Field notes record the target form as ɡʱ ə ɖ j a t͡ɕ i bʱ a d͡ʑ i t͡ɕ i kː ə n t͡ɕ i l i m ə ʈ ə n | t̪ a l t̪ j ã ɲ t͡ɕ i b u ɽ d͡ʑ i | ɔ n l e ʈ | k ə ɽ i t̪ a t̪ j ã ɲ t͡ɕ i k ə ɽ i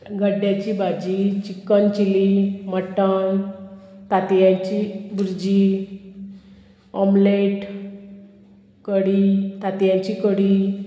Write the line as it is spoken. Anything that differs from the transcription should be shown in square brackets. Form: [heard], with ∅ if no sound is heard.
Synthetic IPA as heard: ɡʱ ə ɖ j a t͡ɕ i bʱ a d͡ʑ i t͡ɕ i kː ə n t͡ɕ i l i m ə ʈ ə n | t̪ a [∅] t̪ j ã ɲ t͡ɕ i b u [ɾ] d͡ʑ i | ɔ [m] l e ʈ | k ə ɽ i t̪ a t̪ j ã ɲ t͡ɕ i k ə ɽ i